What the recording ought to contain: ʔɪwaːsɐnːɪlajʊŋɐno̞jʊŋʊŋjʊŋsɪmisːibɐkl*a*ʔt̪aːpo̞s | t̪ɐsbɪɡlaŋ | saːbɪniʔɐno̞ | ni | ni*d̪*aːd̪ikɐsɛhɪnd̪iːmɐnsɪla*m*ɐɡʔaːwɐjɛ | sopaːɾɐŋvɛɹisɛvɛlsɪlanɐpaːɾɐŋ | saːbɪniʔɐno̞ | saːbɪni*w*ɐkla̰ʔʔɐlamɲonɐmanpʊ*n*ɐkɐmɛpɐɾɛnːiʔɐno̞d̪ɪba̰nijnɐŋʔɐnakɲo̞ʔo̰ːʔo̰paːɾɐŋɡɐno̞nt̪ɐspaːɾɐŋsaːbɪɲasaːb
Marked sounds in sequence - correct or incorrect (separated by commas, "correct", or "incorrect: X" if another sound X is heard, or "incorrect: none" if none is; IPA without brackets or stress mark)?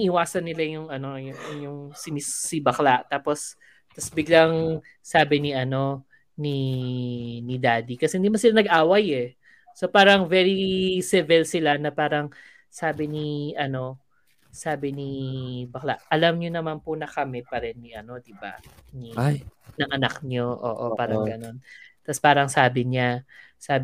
correct, correct, incorrect: n, incorrect: b, correct